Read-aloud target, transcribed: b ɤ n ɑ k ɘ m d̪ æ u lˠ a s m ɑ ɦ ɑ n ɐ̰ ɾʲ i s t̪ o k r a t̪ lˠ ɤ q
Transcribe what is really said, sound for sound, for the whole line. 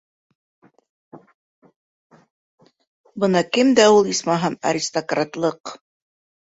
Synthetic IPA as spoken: b ɤ n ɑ k ɘ m d̪ æ u lˠ i s m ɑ ɦ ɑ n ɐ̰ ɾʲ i s t̪ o k r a t̪ lˠ ɤ q